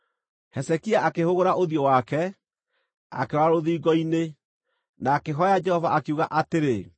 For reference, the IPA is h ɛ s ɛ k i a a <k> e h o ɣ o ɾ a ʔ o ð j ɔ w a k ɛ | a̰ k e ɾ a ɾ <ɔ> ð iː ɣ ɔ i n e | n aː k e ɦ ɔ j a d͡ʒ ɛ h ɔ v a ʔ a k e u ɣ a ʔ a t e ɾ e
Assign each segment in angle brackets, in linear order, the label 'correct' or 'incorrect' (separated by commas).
correct, incorrect